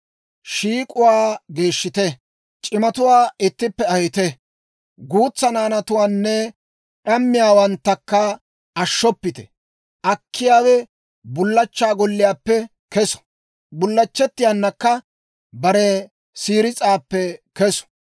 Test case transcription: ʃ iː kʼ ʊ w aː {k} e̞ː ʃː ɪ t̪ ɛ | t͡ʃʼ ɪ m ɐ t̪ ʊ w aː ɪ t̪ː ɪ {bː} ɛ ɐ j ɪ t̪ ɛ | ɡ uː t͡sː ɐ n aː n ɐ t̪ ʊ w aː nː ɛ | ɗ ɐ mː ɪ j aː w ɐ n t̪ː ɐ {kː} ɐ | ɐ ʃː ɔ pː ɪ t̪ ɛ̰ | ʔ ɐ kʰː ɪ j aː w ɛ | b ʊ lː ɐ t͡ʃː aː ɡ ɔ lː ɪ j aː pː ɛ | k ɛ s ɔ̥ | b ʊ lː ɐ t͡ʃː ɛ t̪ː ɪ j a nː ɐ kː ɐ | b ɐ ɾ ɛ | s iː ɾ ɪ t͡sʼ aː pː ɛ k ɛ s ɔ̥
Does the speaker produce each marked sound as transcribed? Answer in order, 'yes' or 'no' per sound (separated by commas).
no, no, yes